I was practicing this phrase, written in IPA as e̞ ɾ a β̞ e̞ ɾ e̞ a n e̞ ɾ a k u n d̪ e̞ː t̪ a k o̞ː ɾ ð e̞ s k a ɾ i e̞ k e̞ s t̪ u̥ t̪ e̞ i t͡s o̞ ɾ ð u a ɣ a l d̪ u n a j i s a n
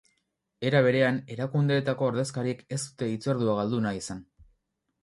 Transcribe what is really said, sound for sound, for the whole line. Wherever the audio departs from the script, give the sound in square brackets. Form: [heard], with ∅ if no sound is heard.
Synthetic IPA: e̞ ɾ a β̞ e̞ ɾ e̞ a n e̞ ɾ a k u n d̪ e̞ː t̪ a k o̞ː ɾ ð e̞ s k a ɾ i e̞ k e̞ s t̪ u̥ t̪ e̞ i t͡s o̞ ɾ ð u a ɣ a l d̪ u n a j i s a n